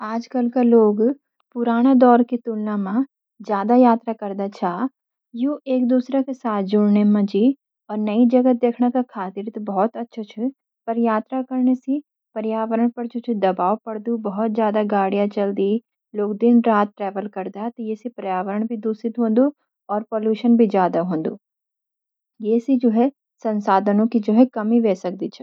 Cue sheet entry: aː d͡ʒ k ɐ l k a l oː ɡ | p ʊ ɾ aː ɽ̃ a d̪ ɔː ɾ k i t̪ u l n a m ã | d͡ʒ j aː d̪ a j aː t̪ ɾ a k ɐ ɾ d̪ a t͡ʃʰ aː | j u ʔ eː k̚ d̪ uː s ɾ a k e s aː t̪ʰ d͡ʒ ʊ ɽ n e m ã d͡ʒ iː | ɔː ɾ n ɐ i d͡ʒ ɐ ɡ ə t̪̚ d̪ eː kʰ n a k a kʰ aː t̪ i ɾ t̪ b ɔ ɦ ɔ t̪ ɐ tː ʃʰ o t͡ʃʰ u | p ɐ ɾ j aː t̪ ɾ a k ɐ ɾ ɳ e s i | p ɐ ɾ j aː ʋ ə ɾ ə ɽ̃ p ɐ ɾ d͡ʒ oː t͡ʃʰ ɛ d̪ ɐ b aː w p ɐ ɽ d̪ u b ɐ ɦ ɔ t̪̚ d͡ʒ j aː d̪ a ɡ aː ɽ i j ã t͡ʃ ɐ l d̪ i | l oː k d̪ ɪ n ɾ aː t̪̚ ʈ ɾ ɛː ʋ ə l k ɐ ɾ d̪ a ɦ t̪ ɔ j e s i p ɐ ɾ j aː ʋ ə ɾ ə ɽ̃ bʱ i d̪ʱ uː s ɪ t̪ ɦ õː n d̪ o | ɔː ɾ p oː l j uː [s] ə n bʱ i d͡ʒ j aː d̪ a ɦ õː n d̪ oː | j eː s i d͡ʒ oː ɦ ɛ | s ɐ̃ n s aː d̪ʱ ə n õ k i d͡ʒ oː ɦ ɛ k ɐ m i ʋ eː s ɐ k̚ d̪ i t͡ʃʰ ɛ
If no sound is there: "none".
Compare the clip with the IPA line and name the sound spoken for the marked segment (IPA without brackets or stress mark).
ʃ